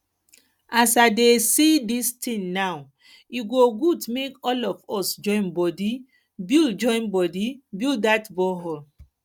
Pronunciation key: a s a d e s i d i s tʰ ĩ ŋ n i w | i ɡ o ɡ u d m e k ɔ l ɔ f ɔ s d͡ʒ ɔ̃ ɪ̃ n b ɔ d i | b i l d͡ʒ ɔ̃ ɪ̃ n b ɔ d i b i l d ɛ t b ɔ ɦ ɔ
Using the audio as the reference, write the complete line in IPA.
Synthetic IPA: a s a d e s i d i s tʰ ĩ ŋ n a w | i ɡ o ɡ u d m e k ɔ l ɔ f ɔ s d͡ʒ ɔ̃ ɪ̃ n b ɔ d i | b i l d͡ʒ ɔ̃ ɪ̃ n b ɔ d i b i l d a t b ɔ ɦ ɔ